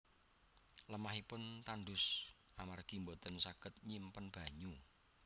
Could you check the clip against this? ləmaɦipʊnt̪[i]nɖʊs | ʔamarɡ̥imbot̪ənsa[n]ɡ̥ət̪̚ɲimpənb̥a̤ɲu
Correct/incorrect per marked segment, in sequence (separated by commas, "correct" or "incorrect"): incorrect, incorrect